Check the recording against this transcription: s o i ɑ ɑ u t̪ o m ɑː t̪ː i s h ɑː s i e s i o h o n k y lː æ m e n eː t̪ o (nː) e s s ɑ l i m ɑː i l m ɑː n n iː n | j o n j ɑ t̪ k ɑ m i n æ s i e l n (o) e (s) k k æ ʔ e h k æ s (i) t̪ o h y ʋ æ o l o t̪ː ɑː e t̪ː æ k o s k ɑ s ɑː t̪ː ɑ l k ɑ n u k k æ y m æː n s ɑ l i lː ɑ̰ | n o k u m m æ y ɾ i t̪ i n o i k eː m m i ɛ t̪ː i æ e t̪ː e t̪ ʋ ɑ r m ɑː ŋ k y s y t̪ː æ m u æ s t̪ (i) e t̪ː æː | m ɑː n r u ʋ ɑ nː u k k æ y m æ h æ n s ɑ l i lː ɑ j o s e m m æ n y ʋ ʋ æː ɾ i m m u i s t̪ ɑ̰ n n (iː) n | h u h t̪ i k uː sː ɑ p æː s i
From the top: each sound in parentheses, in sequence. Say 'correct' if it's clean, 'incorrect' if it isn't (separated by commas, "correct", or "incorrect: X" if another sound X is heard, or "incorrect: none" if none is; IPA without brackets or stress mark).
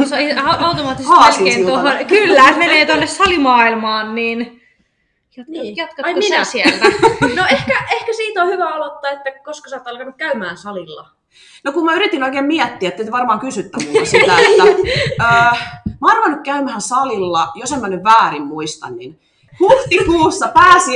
correct, correct, incorrect: h, incorrect: iː, incorrect: æ, incorrect: i